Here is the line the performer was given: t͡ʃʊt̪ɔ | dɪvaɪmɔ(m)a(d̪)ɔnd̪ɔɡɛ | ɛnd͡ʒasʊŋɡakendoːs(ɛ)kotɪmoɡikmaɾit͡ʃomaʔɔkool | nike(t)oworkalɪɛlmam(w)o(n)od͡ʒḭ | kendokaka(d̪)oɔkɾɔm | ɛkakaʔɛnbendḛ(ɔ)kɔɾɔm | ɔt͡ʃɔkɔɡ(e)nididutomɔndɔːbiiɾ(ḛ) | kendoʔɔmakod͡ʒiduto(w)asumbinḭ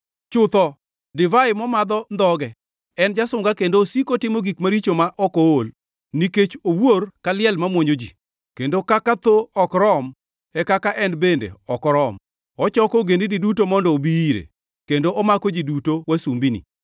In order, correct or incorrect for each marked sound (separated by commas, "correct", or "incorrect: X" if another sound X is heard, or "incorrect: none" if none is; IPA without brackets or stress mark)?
correct, correct, incorrect: i, incorrect: t͡ʃ, correct, incorrect: ɲ, incorrect: t̪, correct, correct, correct, correct